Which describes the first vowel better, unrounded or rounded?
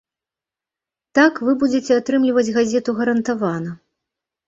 unrounded